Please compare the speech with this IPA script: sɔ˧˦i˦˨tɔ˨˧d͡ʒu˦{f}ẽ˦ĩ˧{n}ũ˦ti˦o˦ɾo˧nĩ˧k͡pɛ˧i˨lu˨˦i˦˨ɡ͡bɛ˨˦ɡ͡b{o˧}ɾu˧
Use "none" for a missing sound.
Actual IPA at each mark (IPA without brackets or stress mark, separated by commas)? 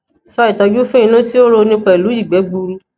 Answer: f, n, u˧